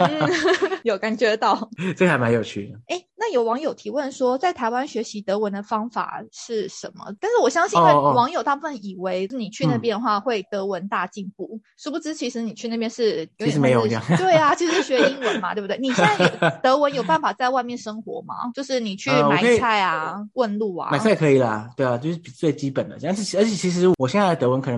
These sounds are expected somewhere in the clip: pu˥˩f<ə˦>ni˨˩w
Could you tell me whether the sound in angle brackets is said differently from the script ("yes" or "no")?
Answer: yes